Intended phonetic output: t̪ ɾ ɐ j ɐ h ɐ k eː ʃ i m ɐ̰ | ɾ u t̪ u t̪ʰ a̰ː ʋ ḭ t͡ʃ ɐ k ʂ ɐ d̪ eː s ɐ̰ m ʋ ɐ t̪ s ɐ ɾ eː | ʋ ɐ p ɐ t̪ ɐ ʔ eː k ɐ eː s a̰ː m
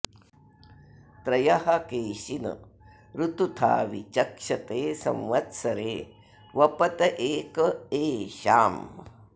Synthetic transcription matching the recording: t̪ ɾ ɐ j ɐ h ɐ k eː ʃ i n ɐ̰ | ɾ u t̪ u t̪ʰ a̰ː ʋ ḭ t͡ʃ ɐ k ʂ ɐ t̪ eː s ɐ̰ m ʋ ɐ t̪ s ɐ ɾ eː | ʋ ɐ p ɐ t̪ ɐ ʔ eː k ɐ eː ʃ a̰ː m

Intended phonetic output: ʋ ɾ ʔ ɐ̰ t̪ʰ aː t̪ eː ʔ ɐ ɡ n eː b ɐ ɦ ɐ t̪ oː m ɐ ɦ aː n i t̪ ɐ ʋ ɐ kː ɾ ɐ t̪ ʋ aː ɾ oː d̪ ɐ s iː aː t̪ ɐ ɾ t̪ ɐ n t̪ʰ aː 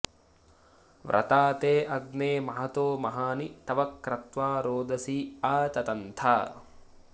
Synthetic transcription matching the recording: ʋ ɾ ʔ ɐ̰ t̪ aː t̪ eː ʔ ɐ ɡ n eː m ɐ ɦ ɐ t̪ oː m ɐ ɦ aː n i t̪ ɐ ʋ ɐ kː ɾ ɐ t̪ ʋ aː ɾ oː d̪ ɐ s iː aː t̪ ɐ t̪ ɐ n t̪ʰ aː

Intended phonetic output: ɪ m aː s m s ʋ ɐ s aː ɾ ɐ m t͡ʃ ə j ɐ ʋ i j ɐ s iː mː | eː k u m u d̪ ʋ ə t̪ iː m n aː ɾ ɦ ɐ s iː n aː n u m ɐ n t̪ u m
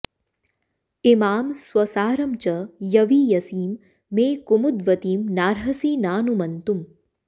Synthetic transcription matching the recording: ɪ m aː m s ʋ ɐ s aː ɾ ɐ m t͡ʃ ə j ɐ ʋ i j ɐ s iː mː | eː k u m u d̪ ʋ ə t̪ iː m n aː ɾ ɦ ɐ s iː n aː n u m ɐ n t̪ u m

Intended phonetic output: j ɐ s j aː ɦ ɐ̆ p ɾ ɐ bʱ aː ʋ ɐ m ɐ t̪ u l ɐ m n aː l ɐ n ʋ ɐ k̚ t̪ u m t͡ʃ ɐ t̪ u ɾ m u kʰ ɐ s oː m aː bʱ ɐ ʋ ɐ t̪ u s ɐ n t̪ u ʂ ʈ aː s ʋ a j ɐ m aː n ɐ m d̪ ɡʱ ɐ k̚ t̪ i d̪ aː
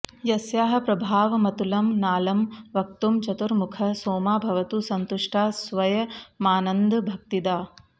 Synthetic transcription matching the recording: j ɐ s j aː ɦ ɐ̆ p ɾ ɐ bʱ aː ʋ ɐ m ɐ t̪ u l ɐ m n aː l ɐ m ʋ ɐ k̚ t̪ u m t͡ʃ ɐ t̪ u ɾ m u kʰ ɐ s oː m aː bʱ ɐ ʋ ɐ t̪ u s ɐ n t̪ u ʂ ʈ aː s ʋ ɐ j ɐ m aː n ɐ n d̪ bʱ ɐ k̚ t̪ i d̪ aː

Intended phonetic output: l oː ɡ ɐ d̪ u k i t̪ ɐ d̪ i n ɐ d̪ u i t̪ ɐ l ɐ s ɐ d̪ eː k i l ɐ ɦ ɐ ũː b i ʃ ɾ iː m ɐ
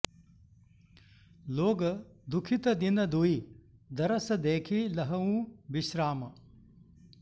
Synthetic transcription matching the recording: l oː ɡ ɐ d̪ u kʰ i t̪ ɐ d̪ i n ɐ d̪ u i d̪ ɐ ɾ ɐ s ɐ d̪ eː kʰ i l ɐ ɦ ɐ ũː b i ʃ ɾ aː m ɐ

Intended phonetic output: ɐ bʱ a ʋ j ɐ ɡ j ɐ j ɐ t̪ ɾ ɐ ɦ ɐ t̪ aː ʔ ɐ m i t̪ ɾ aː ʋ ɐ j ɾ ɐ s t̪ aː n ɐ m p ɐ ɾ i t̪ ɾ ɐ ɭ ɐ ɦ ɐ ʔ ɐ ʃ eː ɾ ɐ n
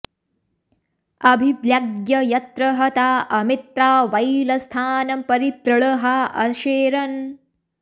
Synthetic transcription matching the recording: ɐ bʱ i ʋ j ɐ ɡ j ɐ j ɐ t̪ ɾ ɐ ɦ ɐ t̪ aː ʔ ɐ m i t̪ ɾ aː ʋ ɐ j l ɐ s t̪ʰ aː n ɐ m p ɐ ɾ i t̪ ɾ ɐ ɭ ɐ ɦ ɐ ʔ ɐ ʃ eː ɾ ɐ n

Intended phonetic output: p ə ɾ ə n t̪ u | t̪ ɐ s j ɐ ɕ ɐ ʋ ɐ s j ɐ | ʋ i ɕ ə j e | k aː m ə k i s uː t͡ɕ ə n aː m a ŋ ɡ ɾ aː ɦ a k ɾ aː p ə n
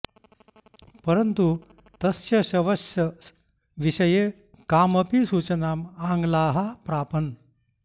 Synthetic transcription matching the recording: p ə ɾ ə n t̪ u | t̪ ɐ s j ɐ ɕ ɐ ʋ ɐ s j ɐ | ʋ i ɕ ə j e | k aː m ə p i s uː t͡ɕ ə n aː m a ŋ ɡ l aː ɦ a p ɾ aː p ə n

